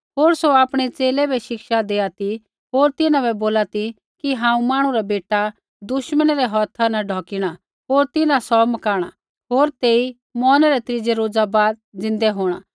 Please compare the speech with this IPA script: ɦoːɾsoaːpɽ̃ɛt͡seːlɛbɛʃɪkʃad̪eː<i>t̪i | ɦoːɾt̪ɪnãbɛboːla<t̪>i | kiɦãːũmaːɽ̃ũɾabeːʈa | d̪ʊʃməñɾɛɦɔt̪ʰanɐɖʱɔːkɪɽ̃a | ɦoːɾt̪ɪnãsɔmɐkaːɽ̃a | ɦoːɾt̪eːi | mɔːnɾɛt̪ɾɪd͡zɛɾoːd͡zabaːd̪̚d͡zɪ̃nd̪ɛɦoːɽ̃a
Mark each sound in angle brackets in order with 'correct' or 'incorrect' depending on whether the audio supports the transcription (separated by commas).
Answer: incorrect, correct